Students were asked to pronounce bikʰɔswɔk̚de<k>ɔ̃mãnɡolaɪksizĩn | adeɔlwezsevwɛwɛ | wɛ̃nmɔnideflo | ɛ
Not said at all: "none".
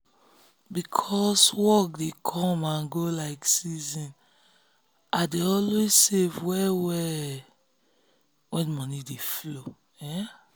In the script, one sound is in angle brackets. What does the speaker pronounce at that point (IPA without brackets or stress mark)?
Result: kʰ